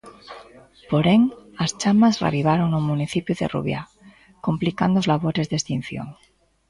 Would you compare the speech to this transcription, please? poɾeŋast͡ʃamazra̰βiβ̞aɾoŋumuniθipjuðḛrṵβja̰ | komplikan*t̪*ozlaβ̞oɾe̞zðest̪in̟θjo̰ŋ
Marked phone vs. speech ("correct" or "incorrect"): incorrect